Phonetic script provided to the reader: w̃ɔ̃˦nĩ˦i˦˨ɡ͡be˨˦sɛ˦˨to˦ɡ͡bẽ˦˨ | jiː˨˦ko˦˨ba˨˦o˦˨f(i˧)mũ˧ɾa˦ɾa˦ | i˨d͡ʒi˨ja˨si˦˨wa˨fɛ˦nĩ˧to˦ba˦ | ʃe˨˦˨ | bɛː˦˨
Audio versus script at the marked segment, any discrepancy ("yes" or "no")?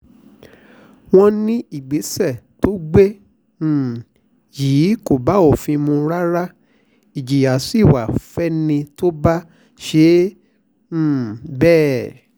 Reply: yes